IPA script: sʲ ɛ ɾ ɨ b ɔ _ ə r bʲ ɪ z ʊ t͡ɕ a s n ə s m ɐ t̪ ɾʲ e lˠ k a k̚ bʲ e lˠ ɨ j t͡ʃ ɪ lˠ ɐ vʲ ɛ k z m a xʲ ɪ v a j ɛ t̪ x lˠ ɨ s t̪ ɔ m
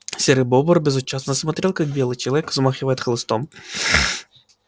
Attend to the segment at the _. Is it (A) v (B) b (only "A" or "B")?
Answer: B